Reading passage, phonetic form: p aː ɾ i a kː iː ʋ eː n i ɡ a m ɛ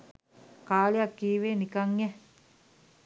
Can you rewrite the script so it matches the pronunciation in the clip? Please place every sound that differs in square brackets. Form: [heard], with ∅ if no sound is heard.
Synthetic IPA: [k] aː [l] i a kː iː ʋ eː n i [k] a [ŋ] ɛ